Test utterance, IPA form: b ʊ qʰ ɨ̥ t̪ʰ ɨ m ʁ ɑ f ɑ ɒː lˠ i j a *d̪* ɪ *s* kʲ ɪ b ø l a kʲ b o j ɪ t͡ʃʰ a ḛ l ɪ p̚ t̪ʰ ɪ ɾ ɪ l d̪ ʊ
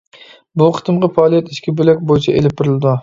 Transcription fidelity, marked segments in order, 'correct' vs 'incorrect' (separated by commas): incorrect, incorrect